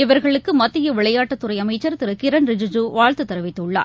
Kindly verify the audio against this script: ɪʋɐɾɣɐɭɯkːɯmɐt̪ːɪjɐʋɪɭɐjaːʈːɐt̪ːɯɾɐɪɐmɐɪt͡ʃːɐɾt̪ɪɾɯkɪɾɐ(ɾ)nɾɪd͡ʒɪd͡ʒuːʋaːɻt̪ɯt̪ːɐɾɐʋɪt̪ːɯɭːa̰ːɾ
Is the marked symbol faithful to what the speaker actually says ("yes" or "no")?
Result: no